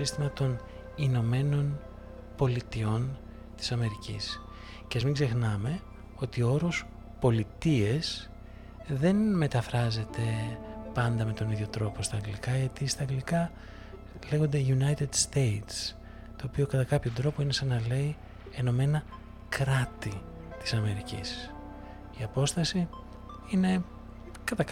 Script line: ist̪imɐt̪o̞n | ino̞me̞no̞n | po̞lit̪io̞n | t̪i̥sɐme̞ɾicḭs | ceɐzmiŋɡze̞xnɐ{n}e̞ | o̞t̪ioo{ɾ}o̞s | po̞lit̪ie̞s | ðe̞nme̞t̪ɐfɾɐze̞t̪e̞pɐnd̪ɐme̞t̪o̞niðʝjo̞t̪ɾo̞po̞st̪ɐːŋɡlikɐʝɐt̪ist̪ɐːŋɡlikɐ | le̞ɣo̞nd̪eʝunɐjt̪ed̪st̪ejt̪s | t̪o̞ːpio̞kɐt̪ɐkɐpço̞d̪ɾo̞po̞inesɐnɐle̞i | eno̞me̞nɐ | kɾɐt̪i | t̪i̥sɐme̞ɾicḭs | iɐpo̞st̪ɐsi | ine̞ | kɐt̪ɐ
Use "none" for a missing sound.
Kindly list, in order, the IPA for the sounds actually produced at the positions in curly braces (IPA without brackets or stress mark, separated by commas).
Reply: m, ɾ